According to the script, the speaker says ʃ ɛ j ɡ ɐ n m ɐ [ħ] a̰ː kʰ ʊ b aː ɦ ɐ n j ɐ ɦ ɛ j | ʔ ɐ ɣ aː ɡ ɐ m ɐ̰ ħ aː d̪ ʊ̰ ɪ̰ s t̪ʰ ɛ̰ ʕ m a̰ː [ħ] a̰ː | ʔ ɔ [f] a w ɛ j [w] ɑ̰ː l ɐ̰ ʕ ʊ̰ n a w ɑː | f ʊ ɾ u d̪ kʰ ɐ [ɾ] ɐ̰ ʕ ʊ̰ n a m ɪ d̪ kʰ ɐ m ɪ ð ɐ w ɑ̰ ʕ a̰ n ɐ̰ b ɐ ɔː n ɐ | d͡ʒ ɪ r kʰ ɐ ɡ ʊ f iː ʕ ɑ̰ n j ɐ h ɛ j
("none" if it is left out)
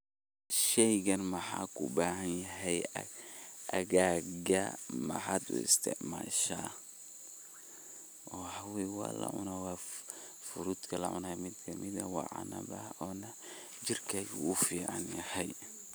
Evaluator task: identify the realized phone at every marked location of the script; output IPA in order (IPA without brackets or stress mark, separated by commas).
ħ, ʃ, ħ, w, l